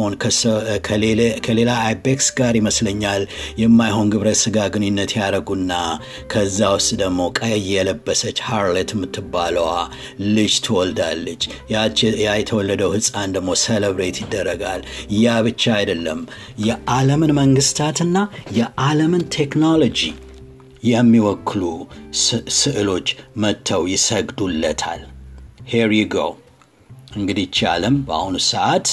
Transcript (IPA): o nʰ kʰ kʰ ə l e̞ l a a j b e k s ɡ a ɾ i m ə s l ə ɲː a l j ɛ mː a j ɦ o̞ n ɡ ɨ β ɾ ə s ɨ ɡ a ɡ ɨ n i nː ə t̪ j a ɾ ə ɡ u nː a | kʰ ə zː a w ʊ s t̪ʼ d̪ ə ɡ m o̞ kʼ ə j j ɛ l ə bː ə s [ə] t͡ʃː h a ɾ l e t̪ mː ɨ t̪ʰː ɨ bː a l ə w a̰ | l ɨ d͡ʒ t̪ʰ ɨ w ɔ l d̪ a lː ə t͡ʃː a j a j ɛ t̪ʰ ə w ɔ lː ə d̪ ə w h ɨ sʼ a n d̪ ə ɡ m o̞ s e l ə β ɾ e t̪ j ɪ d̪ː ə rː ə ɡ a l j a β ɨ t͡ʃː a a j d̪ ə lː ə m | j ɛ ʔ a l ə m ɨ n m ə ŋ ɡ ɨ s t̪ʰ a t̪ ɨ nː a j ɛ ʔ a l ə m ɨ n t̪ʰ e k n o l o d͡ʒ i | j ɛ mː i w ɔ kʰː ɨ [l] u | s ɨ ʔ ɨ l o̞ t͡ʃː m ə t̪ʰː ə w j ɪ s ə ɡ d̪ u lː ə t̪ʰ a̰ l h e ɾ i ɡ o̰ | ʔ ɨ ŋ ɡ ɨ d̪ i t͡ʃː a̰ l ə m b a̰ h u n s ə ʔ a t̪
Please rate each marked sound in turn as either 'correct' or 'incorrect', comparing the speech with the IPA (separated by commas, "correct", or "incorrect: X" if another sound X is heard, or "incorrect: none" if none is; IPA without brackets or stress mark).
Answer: correct, correct